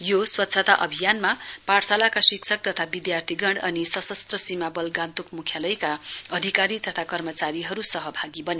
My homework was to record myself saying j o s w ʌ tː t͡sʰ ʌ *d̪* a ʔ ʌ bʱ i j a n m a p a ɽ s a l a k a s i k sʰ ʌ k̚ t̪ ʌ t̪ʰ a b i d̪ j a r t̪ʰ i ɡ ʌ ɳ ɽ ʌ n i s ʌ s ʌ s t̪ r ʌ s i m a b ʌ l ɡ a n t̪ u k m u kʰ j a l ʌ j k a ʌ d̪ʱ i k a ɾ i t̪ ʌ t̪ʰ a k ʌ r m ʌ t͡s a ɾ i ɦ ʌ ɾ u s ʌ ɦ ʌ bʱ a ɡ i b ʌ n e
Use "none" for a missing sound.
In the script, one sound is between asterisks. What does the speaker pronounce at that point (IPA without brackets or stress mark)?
t̪